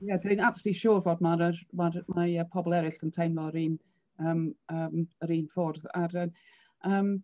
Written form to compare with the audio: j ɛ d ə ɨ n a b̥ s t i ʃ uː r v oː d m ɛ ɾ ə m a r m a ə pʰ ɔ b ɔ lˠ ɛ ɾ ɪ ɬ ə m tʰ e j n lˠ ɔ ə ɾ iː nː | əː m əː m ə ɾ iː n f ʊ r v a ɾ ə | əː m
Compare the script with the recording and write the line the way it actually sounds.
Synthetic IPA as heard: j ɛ d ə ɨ n a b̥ s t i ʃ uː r v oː d m a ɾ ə m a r m a ə pʰ ɔ b ɔ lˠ ɛ ɾ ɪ ɬ ə n tʰ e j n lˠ ɔ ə ɾ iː n | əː m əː m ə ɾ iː n f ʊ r ð a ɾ ə | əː m